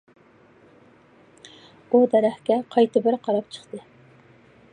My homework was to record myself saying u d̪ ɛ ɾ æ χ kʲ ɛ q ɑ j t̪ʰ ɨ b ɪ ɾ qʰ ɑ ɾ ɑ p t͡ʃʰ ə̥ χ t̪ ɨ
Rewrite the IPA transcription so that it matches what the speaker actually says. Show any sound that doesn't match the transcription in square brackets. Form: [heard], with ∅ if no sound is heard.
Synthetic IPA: u d̪ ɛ ɾ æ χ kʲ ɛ [qʰ] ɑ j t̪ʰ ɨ b ɪ ɾ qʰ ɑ ɾ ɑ p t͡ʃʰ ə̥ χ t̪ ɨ